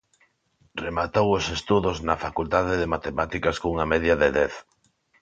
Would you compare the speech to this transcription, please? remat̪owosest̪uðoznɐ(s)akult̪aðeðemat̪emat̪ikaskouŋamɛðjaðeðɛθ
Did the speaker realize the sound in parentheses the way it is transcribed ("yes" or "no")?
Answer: no